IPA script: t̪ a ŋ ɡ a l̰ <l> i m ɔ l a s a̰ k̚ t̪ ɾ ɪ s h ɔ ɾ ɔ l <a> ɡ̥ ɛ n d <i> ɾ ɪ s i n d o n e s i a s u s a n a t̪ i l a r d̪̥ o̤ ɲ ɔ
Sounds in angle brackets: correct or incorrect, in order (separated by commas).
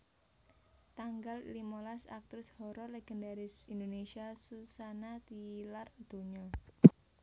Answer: correct, incorrect, incorrect